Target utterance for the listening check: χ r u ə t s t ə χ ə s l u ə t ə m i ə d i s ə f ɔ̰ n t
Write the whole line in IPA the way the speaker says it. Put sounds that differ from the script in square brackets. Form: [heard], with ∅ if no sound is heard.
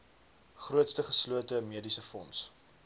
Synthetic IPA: χ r u ə t s t ə χ ə s l u ə t ə m i ə d i s ə f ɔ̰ n [s]